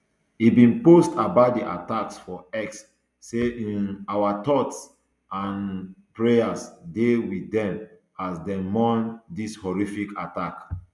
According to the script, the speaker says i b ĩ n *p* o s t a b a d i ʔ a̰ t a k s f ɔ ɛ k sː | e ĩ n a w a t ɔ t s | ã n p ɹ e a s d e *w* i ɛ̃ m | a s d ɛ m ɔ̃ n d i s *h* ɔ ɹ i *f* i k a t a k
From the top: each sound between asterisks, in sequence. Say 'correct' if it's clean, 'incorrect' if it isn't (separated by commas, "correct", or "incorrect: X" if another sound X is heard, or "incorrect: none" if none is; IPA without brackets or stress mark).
correct, correct, correct, correct